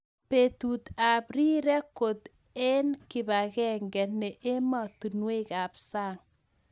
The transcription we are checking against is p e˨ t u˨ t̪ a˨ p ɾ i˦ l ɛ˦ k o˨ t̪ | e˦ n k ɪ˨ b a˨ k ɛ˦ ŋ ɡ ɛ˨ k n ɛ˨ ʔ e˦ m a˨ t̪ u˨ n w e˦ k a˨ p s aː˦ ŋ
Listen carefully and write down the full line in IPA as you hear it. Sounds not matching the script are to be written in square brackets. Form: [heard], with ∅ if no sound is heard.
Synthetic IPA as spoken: p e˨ t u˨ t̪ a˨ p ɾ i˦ [ɾ] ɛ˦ k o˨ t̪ | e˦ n k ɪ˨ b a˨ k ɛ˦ ŋ ɡ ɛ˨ [∅] n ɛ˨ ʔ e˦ m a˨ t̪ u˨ n w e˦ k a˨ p s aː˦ ŋ